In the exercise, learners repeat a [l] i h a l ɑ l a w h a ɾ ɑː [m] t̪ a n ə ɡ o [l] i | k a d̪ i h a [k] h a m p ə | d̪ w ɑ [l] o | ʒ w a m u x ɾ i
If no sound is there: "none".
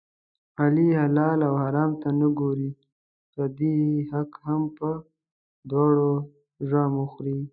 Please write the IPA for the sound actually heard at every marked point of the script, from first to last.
l, m, ɾ, k, ɽ

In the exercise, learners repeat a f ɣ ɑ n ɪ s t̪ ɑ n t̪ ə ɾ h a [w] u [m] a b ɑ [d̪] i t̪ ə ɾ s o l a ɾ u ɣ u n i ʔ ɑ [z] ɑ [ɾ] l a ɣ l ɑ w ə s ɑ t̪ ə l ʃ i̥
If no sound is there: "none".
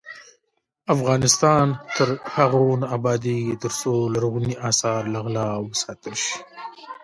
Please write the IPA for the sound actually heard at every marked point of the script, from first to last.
ɣ, n, d̪, s, ɾ

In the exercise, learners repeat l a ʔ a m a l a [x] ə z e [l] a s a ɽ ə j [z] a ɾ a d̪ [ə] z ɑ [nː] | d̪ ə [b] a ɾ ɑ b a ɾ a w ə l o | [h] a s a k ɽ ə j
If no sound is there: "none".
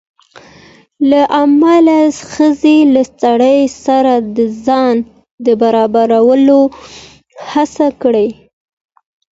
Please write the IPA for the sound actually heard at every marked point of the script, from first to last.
x, l, s, ə, n, b, h

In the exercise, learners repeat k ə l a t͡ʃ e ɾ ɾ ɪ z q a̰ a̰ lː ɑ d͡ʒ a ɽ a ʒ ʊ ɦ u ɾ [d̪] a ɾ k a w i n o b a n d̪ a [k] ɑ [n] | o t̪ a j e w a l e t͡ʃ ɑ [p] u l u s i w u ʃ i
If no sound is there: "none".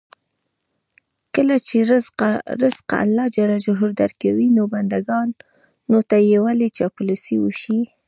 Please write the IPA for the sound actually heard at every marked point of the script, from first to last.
d̪, ɡ, nː, p

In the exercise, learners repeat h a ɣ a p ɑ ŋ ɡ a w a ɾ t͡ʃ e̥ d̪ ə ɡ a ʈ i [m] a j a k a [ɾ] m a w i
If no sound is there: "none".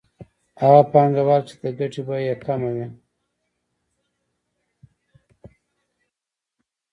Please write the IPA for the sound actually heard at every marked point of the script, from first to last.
b, none

